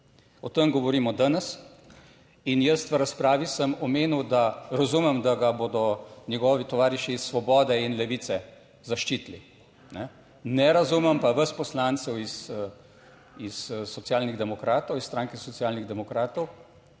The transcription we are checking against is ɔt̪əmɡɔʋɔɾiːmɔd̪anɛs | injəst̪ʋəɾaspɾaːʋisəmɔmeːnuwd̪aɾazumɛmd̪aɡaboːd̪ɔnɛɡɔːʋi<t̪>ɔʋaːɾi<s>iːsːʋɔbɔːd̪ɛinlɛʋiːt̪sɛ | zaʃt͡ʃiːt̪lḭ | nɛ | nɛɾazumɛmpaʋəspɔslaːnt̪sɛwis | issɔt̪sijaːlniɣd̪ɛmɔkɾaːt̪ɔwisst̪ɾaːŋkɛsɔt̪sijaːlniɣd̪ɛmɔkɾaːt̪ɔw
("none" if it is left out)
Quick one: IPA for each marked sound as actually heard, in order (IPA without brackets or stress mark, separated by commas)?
t̪, ʃ